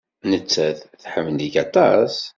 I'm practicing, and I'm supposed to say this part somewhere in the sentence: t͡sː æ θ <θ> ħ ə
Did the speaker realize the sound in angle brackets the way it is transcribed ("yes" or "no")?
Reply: yes